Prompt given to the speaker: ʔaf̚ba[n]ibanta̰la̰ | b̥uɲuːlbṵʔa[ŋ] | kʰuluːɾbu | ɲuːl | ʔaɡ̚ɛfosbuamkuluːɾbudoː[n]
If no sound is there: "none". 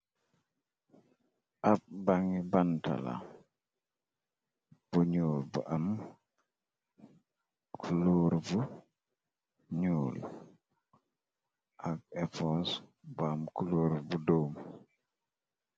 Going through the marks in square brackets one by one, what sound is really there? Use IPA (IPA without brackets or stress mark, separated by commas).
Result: ŋ, m, m